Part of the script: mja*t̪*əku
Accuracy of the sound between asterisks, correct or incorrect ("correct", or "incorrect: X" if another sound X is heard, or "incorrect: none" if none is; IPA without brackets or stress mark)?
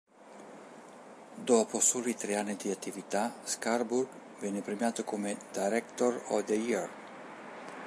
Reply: correct